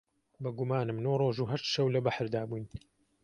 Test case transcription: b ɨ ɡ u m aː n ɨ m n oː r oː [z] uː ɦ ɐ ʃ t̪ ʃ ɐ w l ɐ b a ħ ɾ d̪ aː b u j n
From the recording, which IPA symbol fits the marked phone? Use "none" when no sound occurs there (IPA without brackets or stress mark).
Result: ʒ